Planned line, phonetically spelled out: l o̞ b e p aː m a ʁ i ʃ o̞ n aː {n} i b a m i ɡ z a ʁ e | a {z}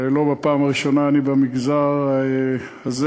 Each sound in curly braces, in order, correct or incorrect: correct, correct

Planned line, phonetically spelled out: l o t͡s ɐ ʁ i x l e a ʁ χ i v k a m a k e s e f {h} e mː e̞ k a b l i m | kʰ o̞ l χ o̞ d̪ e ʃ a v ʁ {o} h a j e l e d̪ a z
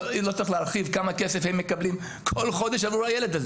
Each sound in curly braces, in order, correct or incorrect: correct, incorrect: u

